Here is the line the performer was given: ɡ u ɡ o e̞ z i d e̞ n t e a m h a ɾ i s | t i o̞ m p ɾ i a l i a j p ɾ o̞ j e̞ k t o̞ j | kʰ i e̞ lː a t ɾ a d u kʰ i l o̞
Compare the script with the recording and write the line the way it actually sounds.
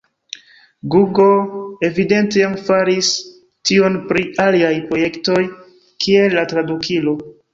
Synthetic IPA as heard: ɡ u ɡ o e̞ v i d e̞ n t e a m f a ɾ i s | t i o̞ n p ɾ i a l i a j p ɾ o̞ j e̞ k t o̞ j | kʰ i e̞ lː a t ɾ a d u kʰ i l o̞